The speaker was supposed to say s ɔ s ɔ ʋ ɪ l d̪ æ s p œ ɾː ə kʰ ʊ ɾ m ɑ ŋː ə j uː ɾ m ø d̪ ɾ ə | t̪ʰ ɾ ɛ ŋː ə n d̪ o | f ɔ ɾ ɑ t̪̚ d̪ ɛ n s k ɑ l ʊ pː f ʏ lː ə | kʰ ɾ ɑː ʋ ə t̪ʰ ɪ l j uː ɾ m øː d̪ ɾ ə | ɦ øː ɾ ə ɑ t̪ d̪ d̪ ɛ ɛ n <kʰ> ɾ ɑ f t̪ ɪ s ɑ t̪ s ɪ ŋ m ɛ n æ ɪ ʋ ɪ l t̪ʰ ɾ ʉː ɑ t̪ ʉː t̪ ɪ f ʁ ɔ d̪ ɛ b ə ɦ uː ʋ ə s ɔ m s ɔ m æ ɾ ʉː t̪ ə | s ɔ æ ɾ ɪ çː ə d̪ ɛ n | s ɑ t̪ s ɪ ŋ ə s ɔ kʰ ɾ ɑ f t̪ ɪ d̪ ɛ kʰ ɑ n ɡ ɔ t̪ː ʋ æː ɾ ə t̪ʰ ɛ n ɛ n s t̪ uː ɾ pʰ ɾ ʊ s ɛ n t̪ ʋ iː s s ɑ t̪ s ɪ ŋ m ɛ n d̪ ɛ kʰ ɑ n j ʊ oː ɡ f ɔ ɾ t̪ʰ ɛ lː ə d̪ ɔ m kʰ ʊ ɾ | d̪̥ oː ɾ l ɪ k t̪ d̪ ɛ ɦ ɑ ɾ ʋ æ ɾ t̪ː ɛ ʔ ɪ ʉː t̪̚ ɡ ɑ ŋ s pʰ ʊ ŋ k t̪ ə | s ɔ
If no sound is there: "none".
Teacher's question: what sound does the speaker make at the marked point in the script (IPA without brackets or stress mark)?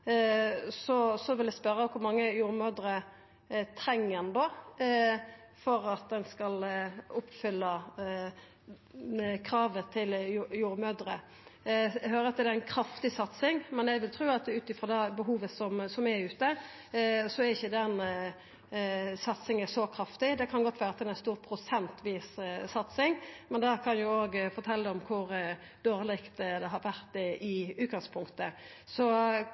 kʰ